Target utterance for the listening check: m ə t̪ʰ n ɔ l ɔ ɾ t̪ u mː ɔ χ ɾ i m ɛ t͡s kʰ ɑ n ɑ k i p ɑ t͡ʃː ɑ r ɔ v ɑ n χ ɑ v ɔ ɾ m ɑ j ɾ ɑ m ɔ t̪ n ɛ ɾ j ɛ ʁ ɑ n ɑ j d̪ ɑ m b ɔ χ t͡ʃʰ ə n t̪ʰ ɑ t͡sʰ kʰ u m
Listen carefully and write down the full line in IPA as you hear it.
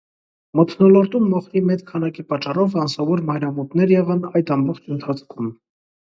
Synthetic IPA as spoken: m ə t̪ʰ n ɔ l ɔ ɾ t̪ u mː ɔ χ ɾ i m ɛ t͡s kʰ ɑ n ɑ k i p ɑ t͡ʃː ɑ r ɔ v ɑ n s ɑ v ɔ ɾ m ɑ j ɾ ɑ m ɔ t̪ n ɛ ɾ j ɛ ʁ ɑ n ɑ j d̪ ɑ m b ɔ χ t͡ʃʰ ə n t̪ʰ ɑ t͡sʰ kʰ u m